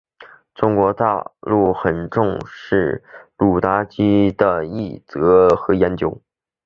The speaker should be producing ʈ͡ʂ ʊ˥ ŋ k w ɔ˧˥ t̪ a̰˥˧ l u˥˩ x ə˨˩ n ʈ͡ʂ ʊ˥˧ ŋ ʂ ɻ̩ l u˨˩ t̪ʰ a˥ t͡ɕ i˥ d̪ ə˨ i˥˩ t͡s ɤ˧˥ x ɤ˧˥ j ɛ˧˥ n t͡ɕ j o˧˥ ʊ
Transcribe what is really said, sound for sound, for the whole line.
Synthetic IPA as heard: ʈ͡ʂ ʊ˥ ŋ k w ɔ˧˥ t̪ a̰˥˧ l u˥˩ x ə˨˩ n ʈ͡ʂ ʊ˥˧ ŋ ʂ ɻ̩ l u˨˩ t̪ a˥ t͡ɕ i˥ d̪ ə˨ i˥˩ t͡s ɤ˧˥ x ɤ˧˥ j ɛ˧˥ n t͡ɕ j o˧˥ ʊ